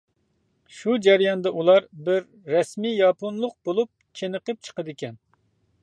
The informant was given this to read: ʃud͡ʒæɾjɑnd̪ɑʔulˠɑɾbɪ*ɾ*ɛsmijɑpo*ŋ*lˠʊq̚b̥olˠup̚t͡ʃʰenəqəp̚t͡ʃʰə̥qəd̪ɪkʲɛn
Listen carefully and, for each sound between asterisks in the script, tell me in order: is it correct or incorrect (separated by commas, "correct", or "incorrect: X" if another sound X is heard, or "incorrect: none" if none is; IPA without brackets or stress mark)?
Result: incorrect: ɾː, incorrect: n